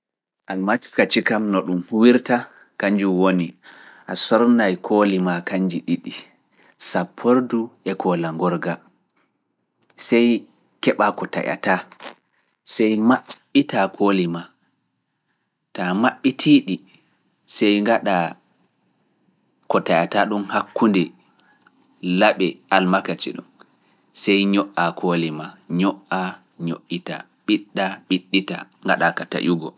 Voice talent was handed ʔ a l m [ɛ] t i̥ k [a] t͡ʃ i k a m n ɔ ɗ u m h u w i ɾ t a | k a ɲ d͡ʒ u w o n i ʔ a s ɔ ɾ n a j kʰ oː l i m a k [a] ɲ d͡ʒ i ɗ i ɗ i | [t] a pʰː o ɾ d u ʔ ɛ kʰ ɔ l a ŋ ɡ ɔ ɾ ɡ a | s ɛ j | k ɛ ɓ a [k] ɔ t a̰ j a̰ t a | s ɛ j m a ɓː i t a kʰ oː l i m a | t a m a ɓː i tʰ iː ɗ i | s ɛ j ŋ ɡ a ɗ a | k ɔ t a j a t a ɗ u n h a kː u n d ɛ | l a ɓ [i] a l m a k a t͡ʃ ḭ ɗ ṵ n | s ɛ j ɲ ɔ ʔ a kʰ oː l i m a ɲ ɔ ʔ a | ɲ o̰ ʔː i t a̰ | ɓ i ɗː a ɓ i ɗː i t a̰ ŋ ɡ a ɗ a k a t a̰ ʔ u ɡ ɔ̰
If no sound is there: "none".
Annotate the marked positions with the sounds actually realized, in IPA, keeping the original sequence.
a, a, a, s, k, ɛ

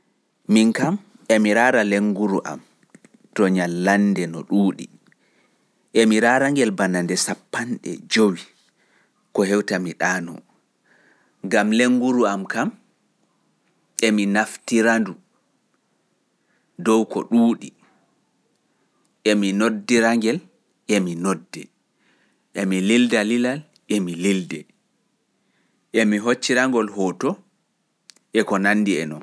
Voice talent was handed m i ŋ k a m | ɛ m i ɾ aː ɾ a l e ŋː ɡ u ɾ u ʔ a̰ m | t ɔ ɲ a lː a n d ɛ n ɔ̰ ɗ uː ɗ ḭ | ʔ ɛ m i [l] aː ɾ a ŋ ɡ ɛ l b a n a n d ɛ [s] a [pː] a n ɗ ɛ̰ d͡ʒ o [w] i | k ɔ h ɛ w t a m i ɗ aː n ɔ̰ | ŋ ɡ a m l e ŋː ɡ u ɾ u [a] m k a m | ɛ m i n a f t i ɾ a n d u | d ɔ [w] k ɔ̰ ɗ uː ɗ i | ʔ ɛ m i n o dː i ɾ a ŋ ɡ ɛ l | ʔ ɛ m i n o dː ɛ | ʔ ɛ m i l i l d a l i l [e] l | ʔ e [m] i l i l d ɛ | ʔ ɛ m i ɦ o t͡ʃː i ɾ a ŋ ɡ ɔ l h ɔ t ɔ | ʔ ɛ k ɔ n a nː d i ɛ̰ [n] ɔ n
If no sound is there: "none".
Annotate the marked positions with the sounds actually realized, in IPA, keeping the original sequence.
ɾ, s, pː, w, a, w, a, m, n

